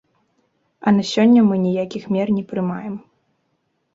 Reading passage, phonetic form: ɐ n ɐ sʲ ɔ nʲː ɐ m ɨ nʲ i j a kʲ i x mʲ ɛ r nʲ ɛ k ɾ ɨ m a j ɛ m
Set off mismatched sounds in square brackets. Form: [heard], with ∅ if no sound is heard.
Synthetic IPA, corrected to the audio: ɐ n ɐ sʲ ɔ nʲː ɐ m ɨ nʲ i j a kʲ i x mʲ ɛ r nʲ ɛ [p] ɾ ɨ m a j ɛ m